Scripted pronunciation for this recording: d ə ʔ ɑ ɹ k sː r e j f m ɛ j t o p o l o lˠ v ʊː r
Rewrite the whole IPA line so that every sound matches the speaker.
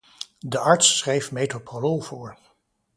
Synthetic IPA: d ə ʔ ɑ ɹ t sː r e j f m e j t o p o l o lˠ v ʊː ɹ